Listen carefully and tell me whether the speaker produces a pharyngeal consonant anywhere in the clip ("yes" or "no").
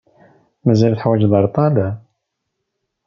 yes